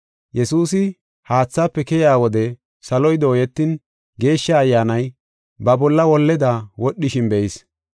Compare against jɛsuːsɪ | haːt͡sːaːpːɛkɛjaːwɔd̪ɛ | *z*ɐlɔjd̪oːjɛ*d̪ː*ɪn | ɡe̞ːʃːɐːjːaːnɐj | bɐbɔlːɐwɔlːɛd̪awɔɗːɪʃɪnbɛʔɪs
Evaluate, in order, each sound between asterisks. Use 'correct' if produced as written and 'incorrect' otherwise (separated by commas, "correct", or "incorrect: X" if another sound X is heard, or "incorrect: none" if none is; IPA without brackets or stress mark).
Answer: incorrect: s, incorrect: t̪ː